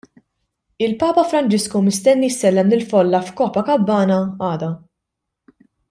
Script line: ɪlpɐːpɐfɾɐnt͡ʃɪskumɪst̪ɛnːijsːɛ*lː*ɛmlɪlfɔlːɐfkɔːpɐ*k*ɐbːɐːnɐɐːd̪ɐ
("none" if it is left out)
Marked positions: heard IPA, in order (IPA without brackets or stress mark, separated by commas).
lː, k